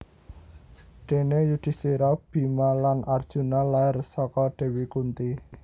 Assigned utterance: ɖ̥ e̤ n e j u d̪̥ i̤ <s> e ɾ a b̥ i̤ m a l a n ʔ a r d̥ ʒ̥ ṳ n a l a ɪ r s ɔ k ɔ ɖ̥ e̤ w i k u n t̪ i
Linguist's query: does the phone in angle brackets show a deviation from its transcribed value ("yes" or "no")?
no